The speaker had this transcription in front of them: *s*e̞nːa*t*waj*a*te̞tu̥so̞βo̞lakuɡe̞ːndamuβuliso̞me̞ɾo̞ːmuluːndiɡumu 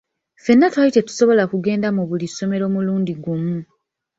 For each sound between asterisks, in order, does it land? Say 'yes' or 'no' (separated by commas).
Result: no, yes, no